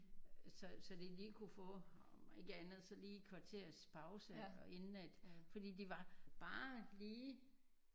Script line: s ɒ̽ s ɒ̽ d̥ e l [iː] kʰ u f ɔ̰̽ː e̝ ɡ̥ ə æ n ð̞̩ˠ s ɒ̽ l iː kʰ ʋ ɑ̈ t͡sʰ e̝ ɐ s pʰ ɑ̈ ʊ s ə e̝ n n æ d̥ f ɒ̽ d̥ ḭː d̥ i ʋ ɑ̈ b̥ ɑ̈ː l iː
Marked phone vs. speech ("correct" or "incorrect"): correct